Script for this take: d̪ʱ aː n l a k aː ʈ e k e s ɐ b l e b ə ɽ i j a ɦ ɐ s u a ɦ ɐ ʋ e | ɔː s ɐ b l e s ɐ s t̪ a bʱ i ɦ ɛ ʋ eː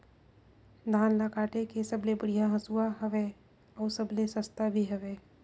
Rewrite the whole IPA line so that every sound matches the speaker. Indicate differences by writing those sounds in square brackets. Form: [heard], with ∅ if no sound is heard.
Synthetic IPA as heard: d̪ʱ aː n l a k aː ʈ e k e s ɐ b l e b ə ɽ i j a ɦ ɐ s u a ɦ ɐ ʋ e | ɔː s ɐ b l e s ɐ s t̪ a bʱ i ɦ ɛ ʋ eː